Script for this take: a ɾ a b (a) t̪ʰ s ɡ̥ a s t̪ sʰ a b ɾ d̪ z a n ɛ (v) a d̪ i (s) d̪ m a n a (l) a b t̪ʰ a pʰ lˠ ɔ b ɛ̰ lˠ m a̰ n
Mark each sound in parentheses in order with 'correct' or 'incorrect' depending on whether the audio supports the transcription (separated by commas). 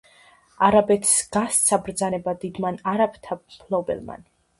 incorrect, incorrect, incorrect, incorrect